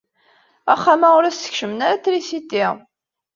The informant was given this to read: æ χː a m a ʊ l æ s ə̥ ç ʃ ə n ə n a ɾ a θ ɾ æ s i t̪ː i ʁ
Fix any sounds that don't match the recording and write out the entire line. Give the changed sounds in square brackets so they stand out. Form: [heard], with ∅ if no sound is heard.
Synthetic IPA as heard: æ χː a m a ʊ [ɾ] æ s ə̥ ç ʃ ə [m] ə n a ɾ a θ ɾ [i] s i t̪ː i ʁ